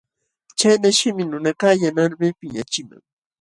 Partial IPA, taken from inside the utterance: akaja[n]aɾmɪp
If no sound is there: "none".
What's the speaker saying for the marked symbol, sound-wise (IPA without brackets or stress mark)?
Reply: n